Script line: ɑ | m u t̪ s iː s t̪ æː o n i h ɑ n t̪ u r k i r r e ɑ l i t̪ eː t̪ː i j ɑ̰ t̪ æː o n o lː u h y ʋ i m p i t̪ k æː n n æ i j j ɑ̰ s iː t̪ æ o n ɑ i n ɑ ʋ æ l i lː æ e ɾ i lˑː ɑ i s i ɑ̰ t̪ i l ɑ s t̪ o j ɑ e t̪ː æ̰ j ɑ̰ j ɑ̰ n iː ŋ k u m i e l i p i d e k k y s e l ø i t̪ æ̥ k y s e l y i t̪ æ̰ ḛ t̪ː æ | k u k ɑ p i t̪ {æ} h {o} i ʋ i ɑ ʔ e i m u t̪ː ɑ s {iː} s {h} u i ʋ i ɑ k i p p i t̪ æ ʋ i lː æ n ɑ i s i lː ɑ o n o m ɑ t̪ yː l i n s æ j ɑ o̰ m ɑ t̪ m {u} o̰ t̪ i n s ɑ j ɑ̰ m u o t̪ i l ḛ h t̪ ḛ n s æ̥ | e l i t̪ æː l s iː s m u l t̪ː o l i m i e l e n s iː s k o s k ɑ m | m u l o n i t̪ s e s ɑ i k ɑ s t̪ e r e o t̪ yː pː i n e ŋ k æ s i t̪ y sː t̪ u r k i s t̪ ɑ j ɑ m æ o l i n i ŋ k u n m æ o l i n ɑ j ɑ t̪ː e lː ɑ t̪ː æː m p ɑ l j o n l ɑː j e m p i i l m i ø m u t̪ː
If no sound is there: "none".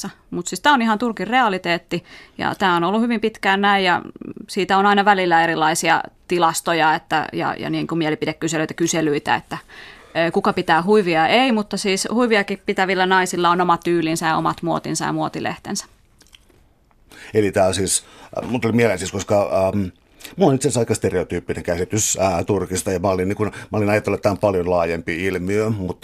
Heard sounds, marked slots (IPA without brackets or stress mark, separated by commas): æː, u, iː, h, u